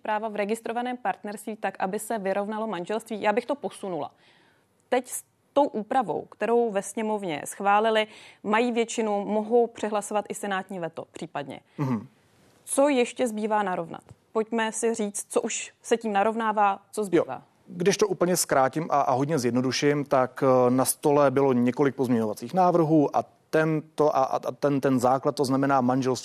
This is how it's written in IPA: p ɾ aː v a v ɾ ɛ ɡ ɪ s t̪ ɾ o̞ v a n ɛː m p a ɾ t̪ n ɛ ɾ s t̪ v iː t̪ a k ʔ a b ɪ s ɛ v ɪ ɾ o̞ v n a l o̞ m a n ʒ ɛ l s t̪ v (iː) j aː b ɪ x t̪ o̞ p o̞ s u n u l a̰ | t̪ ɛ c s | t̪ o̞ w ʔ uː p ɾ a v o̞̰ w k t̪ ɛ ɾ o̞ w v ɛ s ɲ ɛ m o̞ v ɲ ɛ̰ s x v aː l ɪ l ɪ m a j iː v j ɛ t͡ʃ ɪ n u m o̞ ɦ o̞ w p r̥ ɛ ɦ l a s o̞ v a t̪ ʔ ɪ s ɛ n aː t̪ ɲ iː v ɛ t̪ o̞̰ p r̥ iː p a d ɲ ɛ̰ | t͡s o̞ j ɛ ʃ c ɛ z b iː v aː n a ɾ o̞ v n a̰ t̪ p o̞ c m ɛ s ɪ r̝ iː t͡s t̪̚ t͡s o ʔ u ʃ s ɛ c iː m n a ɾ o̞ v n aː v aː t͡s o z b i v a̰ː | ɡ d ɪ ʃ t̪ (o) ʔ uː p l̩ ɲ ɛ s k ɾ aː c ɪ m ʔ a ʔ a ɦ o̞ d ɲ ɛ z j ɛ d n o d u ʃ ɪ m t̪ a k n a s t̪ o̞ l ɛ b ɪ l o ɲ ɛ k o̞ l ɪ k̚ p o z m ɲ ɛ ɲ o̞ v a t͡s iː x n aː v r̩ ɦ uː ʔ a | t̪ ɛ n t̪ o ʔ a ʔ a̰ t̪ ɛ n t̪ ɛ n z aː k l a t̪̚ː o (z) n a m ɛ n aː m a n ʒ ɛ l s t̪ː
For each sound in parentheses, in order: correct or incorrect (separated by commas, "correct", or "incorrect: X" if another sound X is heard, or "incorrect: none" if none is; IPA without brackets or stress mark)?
correct, correct, correct